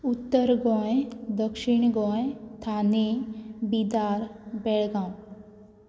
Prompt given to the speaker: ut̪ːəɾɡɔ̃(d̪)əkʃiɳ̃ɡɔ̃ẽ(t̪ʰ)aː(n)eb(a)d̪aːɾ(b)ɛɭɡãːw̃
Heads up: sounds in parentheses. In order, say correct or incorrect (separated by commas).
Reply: correct, correct, correct, incorrect, correct